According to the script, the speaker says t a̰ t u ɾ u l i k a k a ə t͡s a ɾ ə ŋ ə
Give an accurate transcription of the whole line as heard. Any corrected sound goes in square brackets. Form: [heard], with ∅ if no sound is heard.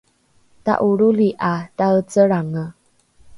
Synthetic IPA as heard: t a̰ [ʔ] u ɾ u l i [ʔ] a [t] a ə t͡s [ə] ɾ [a] ŋ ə

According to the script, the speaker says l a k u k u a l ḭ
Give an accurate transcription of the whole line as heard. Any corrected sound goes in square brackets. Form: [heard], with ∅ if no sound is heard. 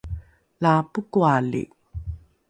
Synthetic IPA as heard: l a [p] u k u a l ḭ

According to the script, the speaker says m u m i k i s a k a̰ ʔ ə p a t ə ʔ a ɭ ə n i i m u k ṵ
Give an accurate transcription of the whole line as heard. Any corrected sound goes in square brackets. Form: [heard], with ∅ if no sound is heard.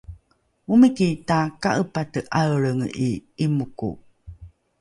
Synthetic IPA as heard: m u m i k i [t] a k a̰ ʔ ə p a t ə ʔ a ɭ ə [ŋ] i i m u k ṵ

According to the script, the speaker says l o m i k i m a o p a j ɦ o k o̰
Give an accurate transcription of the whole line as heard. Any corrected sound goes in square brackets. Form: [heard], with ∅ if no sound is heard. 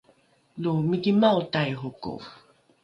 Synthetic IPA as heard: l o m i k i m a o [t] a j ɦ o k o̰

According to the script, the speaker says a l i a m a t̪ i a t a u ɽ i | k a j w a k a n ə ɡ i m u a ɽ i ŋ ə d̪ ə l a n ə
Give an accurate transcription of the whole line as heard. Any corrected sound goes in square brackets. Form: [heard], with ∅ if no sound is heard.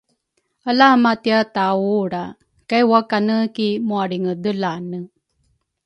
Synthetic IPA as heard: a l [a] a m a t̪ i a t a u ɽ [a] | k a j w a k a n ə [k] i m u a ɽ i ŋ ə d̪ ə l a n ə

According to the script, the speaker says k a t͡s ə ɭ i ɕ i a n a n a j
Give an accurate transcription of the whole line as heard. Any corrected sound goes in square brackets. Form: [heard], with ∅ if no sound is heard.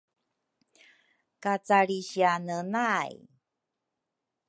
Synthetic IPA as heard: k a t͡s [a] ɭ i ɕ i a n [ə] n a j

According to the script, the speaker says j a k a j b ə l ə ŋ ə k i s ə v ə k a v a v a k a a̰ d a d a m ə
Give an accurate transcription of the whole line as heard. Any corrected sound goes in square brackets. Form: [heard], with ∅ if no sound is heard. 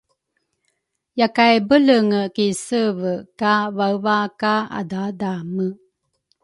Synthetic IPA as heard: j a k a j b ə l ə ŋ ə k i s ə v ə k a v a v a k a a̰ d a d a m ə

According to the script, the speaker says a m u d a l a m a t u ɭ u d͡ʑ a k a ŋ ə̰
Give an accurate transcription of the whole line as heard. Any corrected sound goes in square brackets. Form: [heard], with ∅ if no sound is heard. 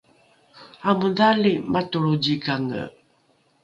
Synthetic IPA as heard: a m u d a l [i] m a t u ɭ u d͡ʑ [i] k a ŋ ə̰

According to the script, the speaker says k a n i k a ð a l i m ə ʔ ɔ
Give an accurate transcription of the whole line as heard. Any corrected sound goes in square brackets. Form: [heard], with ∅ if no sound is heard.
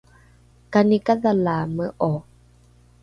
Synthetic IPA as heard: k a n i k a ð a l [a] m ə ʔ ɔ

